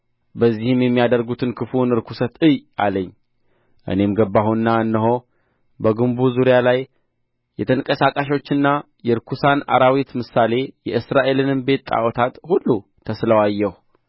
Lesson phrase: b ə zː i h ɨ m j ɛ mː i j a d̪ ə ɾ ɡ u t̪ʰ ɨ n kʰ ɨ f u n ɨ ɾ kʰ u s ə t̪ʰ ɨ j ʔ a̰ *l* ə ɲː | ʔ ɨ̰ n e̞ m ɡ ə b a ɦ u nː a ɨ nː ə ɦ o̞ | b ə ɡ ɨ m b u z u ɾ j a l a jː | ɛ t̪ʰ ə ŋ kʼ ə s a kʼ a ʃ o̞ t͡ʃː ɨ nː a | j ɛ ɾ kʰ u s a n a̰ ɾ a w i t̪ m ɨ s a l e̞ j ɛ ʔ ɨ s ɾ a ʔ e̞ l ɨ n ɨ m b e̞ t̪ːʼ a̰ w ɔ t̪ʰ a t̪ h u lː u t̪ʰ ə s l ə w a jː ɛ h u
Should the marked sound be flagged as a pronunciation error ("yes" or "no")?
no